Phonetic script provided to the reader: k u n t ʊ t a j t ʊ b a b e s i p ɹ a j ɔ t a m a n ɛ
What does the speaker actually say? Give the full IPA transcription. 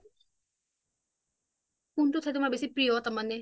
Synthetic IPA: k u n t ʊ tʰ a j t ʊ m a b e s i p ɹ i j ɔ t a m a n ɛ